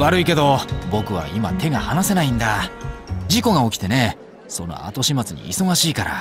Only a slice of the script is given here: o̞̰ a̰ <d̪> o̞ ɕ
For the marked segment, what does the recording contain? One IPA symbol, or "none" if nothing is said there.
t̪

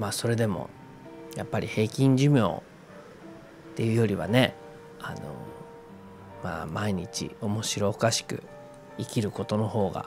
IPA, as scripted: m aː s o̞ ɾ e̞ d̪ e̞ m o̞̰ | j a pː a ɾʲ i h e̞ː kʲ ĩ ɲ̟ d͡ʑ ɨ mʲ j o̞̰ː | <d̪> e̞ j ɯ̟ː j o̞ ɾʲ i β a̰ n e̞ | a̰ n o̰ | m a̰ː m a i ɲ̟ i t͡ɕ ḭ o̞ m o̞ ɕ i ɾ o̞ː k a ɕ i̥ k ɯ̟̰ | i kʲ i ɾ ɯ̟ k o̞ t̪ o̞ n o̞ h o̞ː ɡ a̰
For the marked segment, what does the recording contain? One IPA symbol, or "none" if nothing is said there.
t̪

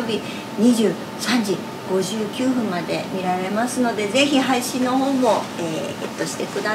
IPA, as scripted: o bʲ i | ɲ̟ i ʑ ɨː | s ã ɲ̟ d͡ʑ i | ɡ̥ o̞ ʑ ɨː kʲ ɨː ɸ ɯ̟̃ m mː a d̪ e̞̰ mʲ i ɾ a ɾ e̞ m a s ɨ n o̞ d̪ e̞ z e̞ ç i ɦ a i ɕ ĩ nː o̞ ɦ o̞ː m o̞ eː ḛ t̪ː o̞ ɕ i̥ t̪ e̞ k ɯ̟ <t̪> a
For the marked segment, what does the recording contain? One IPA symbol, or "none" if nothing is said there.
d̪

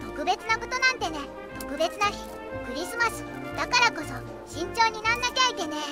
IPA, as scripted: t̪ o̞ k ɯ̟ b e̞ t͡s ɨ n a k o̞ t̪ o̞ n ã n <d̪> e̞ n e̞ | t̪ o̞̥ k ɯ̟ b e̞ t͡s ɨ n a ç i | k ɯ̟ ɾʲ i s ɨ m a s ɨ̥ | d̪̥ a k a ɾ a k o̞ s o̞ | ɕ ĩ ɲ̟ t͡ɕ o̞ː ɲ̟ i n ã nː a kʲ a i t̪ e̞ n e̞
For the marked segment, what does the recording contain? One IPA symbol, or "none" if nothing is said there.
t̪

